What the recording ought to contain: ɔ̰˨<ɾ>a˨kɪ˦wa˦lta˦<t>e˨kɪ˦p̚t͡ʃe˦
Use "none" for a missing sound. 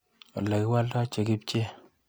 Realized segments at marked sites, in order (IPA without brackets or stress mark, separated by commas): l, t͡ʃ